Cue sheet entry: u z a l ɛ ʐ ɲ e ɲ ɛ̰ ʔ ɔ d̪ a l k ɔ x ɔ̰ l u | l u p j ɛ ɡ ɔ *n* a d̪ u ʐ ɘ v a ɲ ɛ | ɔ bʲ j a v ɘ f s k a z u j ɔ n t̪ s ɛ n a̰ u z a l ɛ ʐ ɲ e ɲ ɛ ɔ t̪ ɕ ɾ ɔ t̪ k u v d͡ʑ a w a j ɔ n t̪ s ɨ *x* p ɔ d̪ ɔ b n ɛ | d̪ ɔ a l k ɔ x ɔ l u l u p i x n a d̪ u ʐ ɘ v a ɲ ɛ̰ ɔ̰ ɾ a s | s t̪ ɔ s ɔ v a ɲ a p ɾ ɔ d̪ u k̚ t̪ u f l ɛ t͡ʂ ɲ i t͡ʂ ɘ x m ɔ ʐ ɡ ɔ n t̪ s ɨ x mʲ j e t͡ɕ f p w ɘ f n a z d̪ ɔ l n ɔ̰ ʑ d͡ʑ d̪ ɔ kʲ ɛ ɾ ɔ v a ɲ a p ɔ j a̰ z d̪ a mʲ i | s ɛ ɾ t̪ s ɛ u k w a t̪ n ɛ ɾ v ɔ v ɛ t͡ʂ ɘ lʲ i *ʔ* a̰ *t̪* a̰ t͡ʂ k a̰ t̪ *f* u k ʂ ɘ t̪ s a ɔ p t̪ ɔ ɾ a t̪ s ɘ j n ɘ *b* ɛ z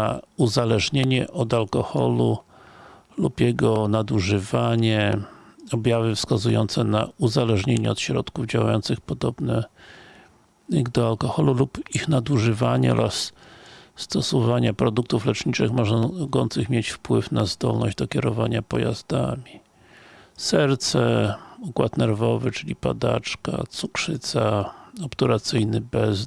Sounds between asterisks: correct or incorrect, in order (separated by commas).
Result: correct, correct, incorrect, incorrect, incorrect, correct